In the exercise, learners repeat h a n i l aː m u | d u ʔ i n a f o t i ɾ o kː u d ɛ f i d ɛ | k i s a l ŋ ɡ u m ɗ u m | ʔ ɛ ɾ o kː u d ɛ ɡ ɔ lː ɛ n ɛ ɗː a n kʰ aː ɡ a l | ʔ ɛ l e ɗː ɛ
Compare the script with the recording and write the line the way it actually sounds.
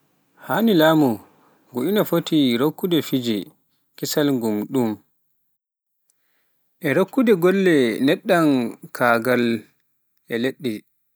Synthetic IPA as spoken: h a n i l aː m u | ɡ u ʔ i n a f o t i ɾ o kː u d ɛ f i d͡ʒ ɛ | k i s a l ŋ ɡ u m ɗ u m | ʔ ɛ ɾ o kː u d ɛ ɡ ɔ lː ɛ n ɛ ɗː a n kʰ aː ɡ a l | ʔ ɛ l e ɗː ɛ